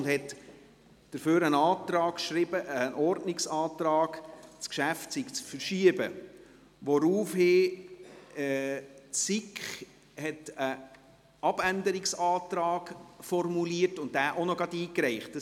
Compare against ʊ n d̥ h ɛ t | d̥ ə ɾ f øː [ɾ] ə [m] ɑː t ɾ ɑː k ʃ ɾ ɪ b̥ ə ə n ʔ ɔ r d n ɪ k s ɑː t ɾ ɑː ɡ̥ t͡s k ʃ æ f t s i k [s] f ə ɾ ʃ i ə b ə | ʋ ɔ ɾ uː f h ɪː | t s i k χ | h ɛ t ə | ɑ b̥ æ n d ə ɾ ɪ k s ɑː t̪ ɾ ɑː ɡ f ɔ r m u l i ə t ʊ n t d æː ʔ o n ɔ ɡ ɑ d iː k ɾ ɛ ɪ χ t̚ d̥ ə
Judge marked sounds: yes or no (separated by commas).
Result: yes, no, no